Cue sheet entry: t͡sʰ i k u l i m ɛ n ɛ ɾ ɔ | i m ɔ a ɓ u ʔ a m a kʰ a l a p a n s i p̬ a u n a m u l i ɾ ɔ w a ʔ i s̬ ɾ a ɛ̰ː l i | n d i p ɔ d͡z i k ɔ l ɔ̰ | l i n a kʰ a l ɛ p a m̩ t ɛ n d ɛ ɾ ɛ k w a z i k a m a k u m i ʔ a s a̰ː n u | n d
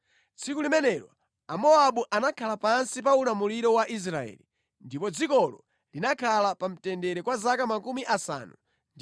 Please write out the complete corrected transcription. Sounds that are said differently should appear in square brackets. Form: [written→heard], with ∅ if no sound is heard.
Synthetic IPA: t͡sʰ i k u l i m ɛ n ɛ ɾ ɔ | [i→a] m ɔ a ɓ u ʔ a [m→n] a kʰ a l a p a n s i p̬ a u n a m u l i ɾ ɔ w a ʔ i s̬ ɾ a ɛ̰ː l i | n d i p ɔ d͡z i k ɔ l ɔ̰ | l i n a kʰ a l [ɛ→a] p a m̩ t ɛ n d ɛ ɾ ɛ k w a z [i→a] k a m a k u m i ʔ a s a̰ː n u | n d